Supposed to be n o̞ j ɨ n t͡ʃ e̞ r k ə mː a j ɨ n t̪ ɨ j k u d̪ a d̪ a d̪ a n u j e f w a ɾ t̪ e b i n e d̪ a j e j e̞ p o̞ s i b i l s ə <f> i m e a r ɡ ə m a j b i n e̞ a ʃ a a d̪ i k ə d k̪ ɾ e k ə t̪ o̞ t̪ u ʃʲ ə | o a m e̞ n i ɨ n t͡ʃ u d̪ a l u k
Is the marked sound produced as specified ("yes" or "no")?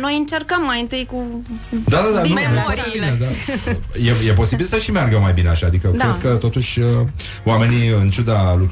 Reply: no